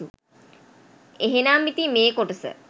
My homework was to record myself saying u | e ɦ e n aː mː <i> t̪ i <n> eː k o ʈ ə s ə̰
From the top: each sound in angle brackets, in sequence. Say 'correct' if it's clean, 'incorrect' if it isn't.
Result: correct, incorrect: m

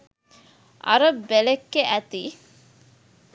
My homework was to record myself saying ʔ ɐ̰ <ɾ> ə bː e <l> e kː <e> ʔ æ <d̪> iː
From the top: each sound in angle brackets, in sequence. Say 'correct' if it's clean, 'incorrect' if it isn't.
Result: correct, correct, correct, incorrect: t̪

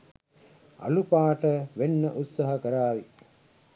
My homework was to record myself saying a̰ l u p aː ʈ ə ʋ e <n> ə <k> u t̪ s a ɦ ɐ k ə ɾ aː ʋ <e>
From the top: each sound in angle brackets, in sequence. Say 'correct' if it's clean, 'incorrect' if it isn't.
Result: incorrect: nː, incorrect: ʔ, incorrect: i

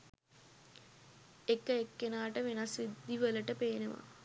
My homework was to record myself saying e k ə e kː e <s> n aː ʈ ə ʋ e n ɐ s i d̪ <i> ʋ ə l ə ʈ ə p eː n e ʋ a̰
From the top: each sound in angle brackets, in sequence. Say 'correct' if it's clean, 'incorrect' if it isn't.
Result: incorrect: none, correct

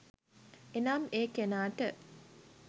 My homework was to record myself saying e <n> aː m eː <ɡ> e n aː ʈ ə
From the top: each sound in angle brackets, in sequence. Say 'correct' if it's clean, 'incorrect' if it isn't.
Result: correct, incorrect: k

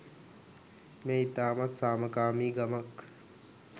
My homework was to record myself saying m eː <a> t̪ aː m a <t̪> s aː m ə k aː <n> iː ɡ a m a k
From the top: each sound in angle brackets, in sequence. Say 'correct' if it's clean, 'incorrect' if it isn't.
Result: incorrect: i, correct, incorrect: m

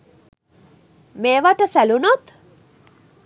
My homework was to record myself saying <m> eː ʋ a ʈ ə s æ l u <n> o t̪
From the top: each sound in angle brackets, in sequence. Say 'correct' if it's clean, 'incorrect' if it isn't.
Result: correct, correct

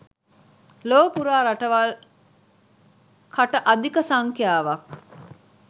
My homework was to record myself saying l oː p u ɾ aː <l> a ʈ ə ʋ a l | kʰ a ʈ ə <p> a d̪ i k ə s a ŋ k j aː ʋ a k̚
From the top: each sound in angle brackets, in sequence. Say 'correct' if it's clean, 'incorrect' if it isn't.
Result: incorrect: ɾ, incorrect: ʔ

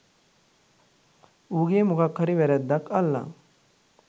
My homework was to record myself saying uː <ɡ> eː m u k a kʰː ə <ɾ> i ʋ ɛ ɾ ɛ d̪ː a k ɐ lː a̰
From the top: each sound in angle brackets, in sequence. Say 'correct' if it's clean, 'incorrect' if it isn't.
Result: correct, correct

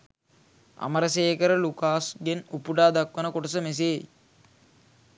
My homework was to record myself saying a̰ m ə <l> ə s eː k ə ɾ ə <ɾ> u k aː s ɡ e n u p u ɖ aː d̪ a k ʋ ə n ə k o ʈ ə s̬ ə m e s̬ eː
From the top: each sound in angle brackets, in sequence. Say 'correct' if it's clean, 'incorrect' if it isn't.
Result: incorrect: ɾ, incorrect: l

